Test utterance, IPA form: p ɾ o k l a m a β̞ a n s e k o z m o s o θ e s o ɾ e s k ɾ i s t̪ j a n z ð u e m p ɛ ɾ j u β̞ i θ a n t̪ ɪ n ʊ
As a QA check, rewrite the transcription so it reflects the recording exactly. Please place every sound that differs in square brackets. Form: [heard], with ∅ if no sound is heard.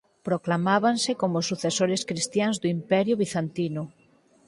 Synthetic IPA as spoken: p ɾ o k l a m a β̞ a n s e k o [∅] m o s [u] θ e s o ɾ e s k ɾ i s t̪ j a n z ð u [i] m p ɛ ɾ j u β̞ i θ a n t̪ [i] n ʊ